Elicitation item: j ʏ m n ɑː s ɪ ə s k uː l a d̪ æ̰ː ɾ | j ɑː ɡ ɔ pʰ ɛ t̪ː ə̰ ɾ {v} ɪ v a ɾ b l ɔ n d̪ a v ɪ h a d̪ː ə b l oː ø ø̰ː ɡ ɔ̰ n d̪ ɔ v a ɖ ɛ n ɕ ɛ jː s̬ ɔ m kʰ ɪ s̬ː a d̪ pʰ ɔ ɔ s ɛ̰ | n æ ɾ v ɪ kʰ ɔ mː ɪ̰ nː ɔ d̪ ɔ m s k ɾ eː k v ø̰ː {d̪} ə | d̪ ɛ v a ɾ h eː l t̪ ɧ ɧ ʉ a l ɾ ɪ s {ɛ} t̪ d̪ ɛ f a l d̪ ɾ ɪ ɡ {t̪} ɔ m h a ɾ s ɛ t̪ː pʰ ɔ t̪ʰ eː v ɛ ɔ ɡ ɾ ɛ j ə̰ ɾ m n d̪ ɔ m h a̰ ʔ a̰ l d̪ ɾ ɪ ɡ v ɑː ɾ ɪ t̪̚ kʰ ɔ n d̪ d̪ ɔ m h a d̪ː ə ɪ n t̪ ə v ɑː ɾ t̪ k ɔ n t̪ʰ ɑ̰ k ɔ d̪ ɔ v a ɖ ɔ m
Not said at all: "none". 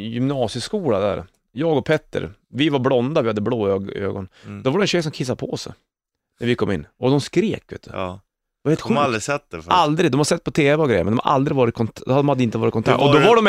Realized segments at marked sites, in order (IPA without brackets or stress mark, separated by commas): v, t̪, ɛ, d̪